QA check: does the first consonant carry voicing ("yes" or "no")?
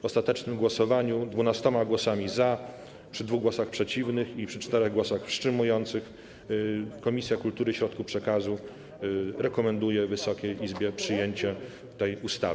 no